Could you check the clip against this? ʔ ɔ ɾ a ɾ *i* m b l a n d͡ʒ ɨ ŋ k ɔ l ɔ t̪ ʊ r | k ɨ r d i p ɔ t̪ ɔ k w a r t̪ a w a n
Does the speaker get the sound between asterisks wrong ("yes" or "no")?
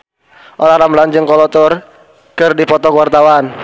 yes